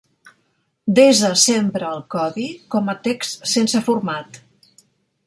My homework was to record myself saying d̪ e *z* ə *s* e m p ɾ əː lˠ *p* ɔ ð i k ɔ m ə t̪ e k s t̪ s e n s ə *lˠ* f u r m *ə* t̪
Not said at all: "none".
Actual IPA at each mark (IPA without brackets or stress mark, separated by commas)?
z, s, k, none, a